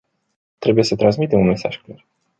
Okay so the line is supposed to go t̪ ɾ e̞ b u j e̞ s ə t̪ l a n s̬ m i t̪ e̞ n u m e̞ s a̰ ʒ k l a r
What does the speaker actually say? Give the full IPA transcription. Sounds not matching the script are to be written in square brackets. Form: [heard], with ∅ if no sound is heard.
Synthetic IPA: t̪ ɾ e̞ b u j e̞ s ə t̪ [ɾ] a n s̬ m i t̪ e̞ [m] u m e̞ s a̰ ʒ k l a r